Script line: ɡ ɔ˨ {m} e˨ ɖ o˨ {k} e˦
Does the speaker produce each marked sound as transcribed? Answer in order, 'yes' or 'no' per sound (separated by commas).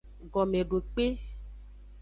yes, no